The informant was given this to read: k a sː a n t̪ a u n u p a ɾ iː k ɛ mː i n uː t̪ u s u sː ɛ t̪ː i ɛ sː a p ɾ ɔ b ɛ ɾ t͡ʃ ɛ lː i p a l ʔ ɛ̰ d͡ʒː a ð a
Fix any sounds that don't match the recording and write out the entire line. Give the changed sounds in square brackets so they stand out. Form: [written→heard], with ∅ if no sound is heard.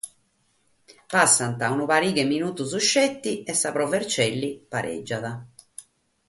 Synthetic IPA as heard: [k→p] a sː a n t̪ a u n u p a ɾ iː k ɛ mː i n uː t̪ u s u [sː→ʃː] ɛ t̪ː i ɛ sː a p ɾ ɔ [b→v] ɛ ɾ t͡ʃ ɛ lː i p a [l→ɾ] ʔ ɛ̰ d͡ʒː a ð a

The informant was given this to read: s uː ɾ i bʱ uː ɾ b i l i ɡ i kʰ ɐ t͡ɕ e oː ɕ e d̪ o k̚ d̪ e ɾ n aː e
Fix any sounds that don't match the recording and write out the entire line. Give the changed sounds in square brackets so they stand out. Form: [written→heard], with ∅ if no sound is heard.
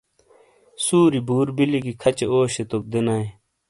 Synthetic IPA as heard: s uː ɾ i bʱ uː ɾ b i l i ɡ i kʰ ɐ t͡ɕ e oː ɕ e [d̪→t̪] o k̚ d̪ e [ɾ→∅] n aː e

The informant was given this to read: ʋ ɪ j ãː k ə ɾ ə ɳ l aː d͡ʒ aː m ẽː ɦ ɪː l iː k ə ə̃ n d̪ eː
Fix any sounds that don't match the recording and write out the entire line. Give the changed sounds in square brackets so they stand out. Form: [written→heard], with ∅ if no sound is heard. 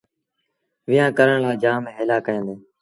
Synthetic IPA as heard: ʋ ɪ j ãː k ə ɾ ə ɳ l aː d͡ʒ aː m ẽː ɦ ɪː l [iː→aː] k ə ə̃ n d̪ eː

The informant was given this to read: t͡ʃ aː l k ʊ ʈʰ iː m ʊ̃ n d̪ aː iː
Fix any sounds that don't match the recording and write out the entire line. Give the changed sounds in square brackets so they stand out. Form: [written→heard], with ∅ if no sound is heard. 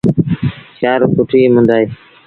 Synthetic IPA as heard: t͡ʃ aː [l→ɾ] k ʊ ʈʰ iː m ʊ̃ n d̪ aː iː

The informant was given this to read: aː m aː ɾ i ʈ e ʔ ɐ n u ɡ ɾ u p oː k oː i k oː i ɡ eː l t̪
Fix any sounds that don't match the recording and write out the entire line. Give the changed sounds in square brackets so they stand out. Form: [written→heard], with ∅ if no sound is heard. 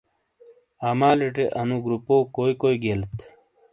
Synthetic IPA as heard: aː m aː [ɾ→l] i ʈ e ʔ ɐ n u ɡ ɾ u p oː k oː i k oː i ɡ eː l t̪

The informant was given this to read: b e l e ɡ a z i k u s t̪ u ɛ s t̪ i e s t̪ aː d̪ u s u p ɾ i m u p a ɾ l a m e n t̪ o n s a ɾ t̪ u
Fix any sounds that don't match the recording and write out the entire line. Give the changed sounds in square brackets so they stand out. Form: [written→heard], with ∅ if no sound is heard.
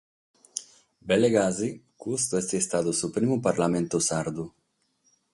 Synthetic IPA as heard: b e l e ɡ a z i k u s t̪ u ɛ s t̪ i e s t̪ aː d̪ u s u p ɾ i m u p a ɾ l a m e n t̪ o [n→∅] s a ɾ [t̪→d̪] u

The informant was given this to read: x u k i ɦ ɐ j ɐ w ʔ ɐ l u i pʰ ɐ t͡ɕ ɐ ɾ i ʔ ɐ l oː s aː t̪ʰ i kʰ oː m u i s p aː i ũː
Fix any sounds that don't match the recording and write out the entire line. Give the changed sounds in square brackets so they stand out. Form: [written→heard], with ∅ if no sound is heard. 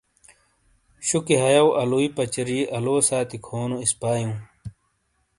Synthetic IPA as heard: [x→ɕ] u k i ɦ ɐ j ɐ w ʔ ɐ l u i [pʰ→p] ɐ t͡ɕ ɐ ɾ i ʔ ɐ l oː s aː [t̪ʰ→t̪] i kʰ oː [m→n] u i s p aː [i→j] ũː

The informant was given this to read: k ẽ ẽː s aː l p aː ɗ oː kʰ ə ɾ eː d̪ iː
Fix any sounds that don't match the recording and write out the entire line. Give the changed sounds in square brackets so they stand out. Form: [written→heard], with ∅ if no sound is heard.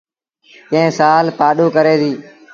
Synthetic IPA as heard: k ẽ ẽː s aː l p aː ɗ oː [kʰ→k] ə ɾ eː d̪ iː

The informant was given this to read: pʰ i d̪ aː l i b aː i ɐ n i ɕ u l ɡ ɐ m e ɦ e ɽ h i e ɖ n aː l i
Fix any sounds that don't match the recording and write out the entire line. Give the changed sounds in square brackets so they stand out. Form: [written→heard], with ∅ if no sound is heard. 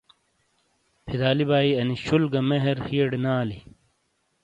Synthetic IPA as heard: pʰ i d̪ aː l i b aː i ɐ n i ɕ u l ɡ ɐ m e ɦ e [ɽ→ɾ] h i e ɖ n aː l i

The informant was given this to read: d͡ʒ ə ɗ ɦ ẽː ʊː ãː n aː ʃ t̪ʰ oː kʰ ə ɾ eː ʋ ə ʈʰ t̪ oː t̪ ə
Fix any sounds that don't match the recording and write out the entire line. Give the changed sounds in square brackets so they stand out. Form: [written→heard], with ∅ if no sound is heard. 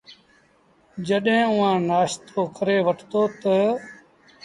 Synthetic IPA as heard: d͡ʒ ə ɗ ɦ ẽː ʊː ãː n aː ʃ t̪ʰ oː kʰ ə ɾ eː ʋ ə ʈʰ t̪ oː t̪ ə

